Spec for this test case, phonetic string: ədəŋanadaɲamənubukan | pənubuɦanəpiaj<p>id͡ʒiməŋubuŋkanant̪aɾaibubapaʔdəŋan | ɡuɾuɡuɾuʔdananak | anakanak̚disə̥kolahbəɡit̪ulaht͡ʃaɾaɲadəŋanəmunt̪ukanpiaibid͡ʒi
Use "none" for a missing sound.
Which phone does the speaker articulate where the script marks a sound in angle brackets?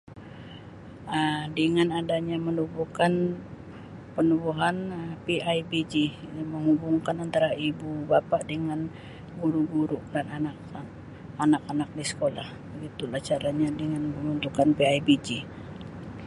b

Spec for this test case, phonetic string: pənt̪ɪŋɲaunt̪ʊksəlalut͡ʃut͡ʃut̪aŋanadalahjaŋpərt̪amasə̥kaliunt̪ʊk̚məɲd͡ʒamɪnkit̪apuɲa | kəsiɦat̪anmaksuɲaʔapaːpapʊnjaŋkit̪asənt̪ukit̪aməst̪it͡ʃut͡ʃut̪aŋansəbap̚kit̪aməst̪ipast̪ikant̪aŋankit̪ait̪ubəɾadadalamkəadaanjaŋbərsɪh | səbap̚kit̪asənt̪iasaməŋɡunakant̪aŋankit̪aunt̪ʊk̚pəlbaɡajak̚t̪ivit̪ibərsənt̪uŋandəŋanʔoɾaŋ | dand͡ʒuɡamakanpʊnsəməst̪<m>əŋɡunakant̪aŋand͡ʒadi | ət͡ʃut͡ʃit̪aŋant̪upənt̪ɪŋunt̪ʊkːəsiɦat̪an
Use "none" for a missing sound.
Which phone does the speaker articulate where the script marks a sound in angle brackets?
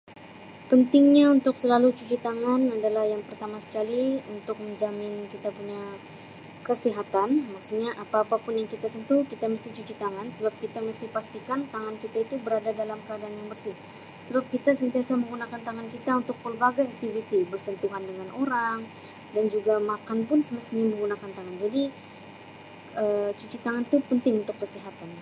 m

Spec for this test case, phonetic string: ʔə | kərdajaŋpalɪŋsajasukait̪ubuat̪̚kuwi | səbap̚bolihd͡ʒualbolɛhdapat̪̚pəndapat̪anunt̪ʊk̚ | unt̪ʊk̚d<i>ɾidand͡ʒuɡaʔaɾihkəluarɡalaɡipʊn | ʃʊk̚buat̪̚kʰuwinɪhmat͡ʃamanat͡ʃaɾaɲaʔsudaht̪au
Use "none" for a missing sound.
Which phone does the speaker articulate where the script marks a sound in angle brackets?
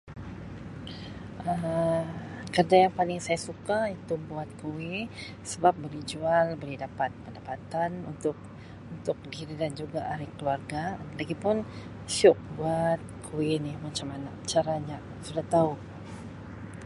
i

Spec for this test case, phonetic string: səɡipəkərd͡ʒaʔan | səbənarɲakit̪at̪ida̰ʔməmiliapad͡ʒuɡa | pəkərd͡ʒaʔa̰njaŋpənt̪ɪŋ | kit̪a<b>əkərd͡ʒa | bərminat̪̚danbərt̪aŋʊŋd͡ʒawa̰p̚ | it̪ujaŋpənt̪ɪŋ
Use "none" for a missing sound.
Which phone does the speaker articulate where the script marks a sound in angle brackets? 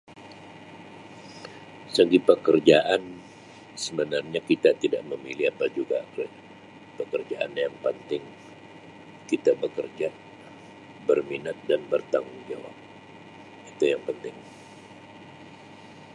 b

